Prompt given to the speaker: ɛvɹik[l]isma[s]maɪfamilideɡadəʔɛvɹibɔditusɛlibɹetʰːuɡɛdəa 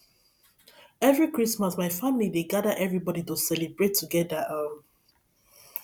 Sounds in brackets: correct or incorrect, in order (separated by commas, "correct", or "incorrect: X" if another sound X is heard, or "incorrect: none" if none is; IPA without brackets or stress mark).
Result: incorrect: ɹ, correct